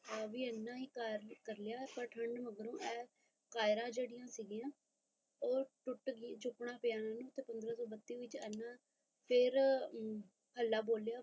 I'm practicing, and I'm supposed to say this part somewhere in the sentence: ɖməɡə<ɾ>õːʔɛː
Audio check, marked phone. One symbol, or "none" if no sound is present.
ɾ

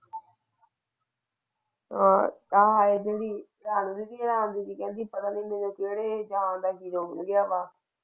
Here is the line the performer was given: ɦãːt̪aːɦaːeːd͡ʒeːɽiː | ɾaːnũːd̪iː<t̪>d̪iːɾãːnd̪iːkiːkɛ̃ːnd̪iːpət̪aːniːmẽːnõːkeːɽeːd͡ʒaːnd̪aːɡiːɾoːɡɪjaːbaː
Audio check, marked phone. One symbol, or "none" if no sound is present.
none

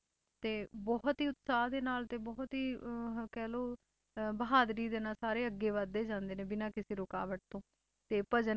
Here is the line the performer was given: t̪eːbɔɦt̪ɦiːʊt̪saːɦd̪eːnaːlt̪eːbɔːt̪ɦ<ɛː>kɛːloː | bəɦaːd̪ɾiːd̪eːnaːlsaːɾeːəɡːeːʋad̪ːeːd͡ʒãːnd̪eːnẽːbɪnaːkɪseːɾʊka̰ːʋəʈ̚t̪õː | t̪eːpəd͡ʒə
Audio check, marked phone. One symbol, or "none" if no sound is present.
iː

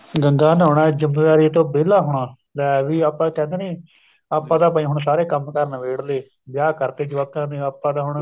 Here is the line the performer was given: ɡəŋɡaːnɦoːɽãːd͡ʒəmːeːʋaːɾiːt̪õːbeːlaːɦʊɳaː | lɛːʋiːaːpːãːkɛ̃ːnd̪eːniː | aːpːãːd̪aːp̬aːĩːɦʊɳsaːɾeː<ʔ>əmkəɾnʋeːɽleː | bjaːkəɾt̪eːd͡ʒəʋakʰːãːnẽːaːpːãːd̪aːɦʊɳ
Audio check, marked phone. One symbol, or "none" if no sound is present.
k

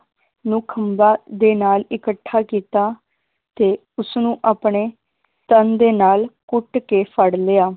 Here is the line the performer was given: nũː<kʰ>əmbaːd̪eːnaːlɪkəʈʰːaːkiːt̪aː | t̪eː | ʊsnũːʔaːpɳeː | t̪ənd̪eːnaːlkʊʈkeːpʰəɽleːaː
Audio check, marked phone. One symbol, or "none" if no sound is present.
kʰ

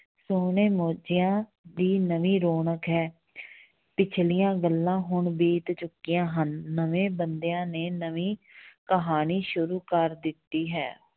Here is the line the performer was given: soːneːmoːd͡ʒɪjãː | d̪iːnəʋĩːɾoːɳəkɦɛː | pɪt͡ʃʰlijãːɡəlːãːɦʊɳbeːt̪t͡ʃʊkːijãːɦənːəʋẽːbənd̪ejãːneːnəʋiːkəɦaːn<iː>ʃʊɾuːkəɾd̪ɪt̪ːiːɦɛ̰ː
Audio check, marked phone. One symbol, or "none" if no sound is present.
iː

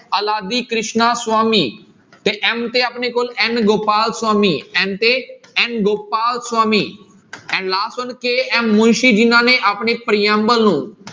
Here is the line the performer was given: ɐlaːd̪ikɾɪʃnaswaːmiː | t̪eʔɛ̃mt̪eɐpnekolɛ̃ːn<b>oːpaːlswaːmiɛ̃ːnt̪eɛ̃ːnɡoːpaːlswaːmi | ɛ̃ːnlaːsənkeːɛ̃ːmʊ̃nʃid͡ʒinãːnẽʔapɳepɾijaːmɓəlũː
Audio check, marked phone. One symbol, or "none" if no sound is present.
ɡ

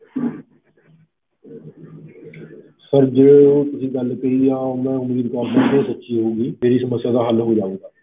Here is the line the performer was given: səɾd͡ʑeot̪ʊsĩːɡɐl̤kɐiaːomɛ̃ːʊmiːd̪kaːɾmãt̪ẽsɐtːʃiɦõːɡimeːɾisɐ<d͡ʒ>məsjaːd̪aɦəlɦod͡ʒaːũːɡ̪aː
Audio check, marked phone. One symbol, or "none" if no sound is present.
none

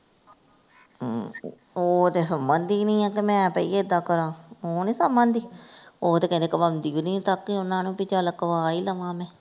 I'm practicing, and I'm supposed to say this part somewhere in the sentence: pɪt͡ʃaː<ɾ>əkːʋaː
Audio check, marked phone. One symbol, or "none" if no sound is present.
l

